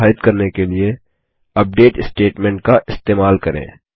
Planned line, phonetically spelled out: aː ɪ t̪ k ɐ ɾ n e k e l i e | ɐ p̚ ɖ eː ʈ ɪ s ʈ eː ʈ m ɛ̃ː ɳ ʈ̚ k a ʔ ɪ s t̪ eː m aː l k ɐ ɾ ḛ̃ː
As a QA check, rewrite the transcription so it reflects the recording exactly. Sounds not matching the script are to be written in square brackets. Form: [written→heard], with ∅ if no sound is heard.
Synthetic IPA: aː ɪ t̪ k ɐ ɾ n e k e l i e | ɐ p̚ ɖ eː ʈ ɪ s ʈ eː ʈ m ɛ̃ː ɳ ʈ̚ k a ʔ ɪ s t̪ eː m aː l k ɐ ɾ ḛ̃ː

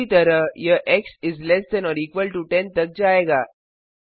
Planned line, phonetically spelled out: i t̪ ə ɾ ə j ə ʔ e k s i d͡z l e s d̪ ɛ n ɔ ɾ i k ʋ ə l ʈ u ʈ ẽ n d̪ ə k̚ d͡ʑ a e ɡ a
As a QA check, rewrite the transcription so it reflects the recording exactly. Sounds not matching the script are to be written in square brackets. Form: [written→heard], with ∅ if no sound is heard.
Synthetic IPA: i t̪ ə ɾ ə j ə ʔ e k s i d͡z l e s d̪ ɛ n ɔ ɾ i k ʋ ə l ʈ u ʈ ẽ n [d̪→t̪] ə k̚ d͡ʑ a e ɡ a

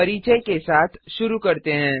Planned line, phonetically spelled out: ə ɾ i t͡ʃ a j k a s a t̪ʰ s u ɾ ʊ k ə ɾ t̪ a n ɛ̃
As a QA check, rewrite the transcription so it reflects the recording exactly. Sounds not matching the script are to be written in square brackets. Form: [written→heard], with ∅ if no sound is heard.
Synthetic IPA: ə ɾ i t͡ʃ [a→ə] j k [a→e] s a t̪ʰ [s→ʃ] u ɾ [ʊ→u] k ə ɾ t̪ [a→e] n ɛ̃

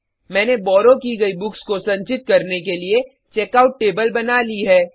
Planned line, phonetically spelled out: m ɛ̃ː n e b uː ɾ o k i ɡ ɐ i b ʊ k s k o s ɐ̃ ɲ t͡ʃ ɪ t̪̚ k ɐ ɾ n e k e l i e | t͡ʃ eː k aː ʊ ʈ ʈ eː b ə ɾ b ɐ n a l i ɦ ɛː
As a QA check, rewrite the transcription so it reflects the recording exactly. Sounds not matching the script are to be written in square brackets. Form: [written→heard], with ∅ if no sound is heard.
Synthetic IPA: m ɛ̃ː n e b [uː→ɔː] ɾ o k i ɡ ɐ i b ʊ k s k o s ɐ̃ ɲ t͡ʃ ɪ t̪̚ k ɐ ɾ n e k e l i e | t͡ʃ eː k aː ʊ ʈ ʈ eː b ə [ɾ→l] b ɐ n a l i ɦ ɛː

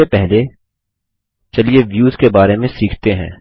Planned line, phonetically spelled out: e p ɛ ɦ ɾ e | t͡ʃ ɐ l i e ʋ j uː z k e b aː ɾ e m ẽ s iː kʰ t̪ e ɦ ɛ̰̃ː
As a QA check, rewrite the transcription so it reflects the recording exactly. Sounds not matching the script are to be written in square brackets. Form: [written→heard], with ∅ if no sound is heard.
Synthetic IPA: e p ɛ ɦ [ɾ→l] e | t͡ʃ ɐ l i e ʋ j uː z k e b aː ɾ e m ẽ s iː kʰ t̪ e ɦ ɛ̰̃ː

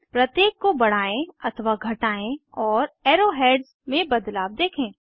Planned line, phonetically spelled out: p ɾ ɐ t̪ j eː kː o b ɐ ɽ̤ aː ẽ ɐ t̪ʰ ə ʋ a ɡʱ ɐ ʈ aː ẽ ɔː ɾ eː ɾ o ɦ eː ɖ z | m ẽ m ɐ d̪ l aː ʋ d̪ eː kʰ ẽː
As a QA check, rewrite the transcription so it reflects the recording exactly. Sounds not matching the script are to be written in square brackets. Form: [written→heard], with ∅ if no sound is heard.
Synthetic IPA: p ɾ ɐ t̪ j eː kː o b ɐ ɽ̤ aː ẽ ɐ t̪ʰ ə ʋ a ɡʱ ɐ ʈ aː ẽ ɔː ɾ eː ɾ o ɦ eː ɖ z | m ẽ [m→b] ɐ d̪ l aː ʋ d̪ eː kʰ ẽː

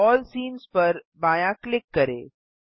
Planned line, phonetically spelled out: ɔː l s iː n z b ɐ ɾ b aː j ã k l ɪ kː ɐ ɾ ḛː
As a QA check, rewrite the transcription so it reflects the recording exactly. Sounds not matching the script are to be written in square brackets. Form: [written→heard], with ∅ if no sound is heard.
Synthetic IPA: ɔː l s iː n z [b→p] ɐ ɾ b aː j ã k l ɪ kː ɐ ɾ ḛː

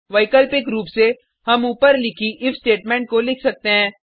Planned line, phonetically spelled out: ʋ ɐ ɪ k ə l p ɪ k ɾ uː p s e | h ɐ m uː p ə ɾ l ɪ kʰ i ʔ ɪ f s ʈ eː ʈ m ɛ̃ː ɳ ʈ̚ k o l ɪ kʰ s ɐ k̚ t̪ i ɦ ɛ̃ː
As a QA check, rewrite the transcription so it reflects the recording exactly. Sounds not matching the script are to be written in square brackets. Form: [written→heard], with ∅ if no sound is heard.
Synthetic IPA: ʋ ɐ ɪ k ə l p ɪ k ɾ uː p s e | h ɐ m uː p ə ɾ l ɪ kʰ i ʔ ɪ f s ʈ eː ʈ m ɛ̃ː ɳ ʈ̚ k o l ɪ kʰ s ɐ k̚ t̪ [i→e] ɦ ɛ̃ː

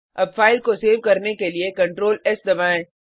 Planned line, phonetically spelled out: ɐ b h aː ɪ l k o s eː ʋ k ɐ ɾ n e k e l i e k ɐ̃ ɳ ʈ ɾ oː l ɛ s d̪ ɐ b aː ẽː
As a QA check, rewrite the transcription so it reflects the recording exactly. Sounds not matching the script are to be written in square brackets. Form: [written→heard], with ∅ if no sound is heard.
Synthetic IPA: ɐ b [h→f] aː ɪ l k o s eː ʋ k ɐ ɾ n e k e l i e k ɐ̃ ɳ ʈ ɾ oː l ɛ s d̪ ɐ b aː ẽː

